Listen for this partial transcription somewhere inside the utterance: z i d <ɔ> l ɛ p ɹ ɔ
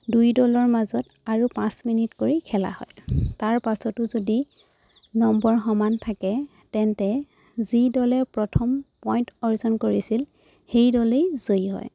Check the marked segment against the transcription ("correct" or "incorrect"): correct